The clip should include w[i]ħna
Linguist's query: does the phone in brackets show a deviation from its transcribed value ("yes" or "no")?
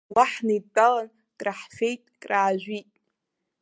yes